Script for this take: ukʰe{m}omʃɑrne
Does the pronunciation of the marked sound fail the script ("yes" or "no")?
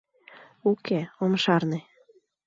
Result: yes